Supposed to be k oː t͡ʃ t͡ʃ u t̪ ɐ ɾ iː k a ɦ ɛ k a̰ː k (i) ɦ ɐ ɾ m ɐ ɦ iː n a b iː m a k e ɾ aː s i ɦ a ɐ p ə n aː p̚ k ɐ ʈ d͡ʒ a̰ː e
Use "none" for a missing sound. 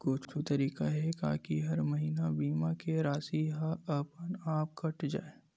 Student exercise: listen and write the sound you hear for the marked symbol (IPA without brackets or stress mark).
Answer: i